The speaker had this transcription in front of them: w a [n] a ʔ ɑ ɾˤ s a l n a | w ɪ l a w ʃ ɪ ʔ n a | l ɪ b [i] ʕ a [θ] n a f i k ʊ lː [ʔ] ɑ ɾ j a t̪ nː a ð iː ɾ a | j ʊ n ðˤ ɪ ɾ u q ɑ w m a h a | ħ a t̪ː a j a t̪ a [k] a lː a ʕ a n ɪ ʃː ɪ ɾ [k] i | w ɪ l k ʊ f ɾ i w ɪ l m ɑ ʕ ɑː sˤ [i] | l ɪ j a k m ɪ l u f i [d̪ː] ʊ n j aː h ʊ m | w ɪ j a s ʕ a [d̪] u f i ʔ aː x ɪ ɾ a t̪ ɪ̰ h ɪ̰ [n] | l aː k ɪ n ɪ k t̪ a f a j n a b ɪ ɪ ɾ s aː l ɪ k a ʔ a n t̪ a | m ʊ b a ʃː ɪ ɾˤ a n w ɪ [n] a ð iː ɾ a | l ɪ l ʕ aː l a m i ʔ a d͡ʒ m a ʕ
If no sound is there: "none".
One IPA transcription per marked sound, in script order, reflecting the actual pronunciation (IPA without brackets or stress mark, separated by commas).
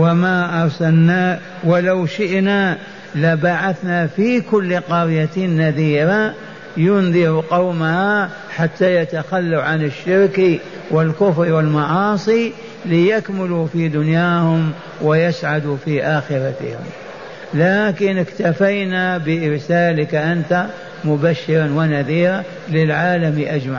m, a, θ, q, x, k, i, d̪, d̪, m, n